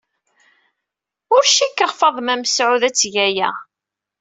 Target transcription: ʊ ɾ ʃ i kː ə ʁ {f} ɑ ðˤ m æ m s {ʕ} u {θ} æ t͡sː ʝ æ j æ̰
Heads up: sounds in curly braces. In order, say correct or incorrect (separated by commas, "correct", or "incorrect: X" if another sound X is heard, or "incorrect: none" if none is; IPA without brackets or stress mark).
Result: correct, correct, incorrect: ð